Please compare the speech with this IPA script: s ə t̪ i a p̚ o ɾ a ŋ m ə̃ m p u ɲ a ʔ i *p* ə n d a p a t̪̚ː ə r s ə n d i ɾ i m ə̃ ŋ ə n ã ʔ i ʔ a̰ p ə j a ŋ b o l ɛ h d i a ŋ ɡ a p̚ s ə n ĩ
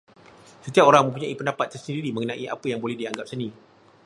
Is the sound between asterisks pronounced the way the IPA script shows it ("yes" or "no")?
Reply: yes